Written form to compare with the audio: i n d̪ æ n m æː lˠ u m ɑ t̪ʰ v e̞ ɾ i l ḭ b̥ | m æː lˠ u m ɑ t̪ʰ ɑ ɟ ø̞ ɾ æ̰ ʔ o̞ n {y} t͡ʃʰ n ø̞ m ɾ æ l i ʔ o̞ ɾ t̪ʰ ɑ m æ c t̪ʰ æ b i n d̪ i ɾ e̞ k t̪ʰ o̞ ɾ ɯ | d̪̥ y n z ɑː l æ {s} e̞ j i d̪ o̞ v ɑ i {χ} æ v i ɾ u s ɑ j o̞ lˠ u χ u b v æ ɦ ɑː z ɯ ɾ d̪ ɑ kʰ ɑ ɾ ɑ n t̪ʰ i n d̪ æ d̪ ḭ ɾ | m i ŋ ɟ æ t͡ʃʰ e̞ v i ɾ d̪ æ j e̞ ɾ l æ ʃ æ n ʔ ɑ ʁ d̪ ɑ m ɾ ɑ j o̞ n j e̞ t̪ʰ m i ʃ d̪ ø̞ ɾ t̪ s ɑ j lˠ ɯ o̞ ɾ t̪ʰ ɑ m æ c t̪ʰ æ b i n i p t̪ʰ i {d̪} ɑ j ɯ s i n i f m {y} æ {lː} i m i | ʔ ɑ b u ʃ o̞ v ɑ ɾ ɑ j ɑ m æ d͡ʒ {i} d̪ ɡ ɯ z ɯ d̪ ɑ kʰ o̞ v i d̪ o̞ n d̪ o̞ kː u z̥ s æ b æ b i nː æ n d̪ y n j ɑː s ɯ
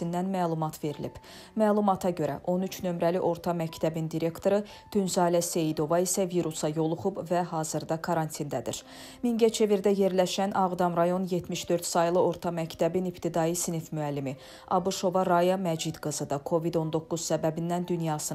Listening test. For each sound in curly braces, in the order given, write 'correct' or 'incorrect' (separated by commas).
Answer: correct, correct, incorrect, correct, correct, correct, correct